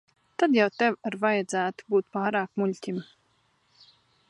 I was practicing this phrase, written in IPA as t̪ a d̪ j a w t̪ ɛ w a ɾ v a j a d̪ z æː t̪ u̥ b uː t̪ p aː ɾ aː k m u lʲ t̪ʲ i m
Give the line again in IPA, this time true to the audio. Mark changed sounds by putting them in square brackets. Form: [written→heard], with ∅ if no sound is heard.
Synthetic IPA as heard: t̪ a d̪ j a w t̪ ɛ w a ɾ v a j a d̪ z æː t̪ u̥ b uː t̪ p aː ɾ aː k m u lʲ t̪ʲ i m